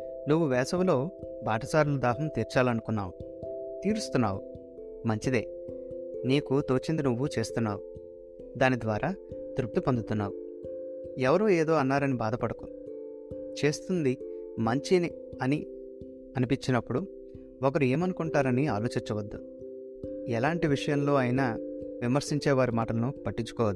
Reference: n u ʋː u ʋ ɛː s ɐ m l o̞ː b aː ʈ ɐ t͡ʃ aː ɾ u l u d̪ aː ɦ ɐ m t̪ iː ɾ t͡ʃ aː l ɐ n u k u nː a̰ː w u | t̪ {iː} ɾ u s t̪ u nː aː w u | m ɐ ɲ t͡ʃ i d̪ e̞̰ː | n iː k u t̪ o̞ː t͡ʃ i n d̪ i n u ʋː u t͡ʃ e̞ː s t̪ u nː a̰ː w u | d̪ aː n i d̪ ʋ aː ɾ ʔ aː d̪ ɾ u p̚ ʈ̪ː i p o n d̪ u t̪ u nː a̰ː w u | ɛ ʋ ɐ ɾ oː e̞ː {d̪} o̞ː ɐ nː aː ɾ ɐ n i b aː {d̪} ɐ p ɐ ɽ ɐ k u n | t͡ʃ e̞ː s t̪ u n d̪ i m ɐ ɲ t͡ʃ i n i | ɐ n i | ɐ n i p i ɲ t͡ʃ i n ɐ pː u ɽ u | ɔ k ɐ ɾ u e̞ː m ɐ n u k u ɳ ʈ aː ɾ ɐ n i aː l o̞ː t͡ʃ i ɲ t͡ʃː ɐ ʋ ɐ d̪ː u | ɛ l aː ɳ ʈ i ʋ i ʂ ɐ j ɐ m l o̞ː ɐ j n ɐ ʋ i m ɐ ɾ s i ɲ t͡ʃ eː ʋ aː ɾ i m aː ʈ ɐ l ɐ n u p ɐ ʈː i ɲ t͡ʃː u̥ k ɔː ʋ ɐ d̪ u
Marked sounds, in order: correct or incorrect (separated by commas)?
correct, correct, correct